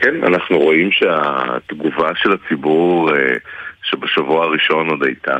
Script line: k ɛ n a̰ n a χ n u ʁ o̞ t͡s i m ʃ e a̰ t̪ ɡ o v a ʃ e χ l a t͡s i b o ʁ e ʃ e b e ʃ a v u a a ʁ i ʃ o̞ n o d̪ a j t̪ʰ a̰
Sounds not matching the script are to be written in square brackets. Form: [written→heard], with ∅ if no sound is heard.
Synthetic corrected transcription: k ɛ n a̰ n a χ n u ʁ o̞ [t͡s→∅] i m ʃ e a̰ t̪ ɡ [o→u] v a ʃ e [χ→∅] l a t͡s i b [o→u] ʁ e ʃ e b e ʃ a v u a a ʁ i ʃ o̞ n o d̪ a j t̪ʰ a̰